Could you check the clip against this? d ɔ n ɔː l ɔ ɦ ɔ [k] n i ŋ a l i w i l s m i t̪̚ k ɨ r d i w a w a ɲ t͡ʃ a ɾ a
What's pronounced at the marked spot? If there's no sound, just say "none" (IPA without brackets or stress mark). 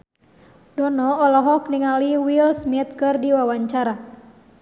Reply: k